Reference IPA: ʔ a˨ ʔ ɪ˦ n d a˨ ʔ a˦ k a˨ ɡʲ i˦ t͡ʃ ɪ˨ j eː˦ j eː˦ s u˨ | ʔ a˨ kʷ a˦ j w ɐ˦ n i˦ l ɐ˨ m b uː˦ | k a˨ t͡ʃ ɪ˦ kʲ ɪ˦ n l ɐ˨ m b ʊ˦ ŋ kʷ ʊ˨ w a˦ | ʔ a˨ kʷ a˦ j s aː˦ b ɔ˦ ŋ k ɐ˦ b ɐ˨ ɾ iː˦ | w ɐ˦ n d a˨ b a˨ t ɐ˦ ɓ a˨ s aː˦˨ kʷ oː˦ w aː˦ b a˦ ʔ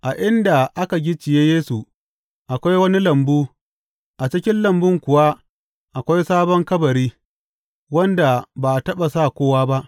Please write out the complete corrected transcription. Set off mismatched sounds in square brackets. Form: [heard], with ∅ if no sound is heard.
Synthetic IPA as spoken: ʔ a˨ ʔ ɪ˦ n d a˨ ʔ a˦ k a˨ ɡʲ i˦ t͡ʃ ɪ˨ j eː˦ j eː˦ s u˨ | ʔ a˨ kʷ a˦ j w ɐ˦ n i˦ l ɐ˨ m b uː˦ | [ʔ] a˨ t͡ʃ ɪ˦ kʲ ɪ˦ n l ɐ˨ m b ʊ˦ ŋ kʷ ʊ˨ w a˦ | ʔ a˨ kʷ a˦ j s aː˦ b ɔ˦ ŋ k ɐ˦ b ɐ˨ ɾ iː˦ | w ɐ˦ n d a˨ b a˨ t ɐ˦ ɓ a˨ s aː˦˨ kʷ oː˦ w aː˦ b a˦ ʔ